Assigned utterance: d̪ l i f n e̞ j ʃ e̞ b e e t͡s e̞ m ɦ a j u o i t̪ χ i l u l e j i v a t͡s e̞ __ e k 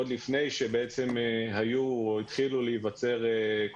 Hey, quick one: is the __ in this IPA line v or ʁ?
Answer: ʁ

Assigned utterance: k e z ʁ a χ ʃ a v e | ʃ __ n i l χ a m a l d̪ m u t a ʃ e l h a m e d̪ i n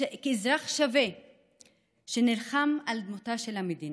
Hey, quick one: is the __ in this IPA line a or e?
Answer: e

